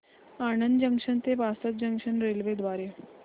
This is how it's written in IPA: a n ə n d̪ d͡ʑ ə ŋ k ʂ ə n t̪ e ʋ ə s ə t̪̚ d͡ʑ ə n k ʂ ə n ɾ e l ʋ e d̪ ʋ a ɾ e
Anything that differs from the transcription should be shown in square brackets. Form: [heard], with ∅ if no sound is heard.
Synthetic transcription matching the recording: a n ə n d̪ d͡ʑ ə ŋ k ʂ ə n t̪ e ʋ [a] s ə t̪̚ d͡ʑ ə [ŋ] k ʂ ə n ɾ e l ʋ e d̪ ʋ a ɾ e